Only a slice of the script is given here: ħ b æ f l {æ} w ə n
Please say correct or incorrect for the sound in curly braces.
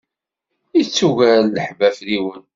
incorrect